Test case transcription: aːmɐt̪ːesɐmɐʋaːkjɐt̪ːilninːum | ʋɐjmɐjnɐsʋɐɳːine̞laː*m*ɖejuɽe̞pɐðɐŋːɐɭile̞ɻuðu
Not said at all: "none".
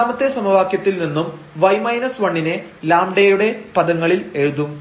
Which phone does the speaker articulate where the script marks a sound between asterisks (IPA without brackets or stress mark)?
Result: m